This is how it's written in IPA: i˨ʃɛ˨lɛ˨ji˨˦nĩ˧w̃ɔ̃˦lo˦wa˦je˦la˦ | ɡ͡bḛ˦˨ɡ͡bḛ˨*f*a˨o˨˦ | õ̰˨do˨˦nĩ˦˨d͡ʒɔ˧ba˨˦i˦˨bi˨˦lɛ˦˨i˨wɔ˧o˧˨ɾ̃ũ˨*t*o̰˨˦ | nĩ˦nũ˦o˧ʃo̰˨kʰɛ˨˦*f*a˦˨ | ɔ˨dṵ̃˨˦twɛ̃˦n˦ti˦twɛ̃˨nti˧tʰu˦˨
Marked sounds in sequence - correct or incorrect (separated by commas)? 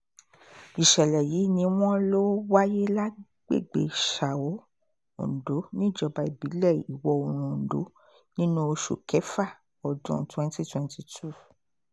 incorrect, incorrect, correct